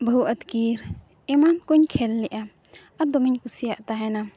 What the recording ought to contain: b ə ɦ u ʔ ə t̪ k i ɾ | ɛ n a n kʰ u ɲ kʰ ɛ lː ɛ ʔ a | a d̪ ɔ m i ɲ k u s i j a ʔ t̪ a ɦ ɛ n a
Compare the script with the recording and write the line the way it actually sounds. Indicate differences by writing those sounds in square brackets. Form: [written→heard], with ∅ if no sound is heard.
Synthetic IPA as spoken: b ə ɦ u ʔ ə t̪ k i ɾ | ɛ [n→m] a n [kʰ→k] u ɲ kʰ ɛ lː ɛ ʔ a | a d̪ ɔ m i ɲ k u s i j a ʔ t̪ a ɦ ɛ n a